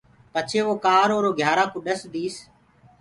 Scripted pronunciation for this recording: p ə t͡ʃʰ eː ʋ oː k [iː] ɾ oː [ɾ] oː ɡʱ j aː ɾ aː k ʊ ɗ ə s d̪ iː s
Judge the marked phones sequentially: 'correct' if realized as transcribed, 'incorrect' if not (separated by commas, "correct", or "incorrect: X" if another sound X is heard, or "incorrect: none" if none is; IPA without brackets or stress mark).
incorrect: aː, correct